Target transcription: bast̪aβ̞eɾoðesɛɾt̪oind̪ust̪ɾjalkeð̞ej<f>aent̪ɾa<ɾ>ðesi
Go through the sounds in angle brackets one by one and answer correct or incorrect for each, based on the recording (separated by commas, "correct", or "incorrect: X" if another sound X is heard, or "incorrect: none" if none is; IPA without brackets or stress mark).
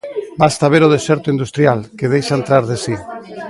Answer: incorrect: ʃ, correct